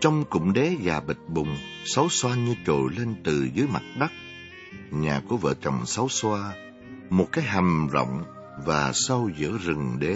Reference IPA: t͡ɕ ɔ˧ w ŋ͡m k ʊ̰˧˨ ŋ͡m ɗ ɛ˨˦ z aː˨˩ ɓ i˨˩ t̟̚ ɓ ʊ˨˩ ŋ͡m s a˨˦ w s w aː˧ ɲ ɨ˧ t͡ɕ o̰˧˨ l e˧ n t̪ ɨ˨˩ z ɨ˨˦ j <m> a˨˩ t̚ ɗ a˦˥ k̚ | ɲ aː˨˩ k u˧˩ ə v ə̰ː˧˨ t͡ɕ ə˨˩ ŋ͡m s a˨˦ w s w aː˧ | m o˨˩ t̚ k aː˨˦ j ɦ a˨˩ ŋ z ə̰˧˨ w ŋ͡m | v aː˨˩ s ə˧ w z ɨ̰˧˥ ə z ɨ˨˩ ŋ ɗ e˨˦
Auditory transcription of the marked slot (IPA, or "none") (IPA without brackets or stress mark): m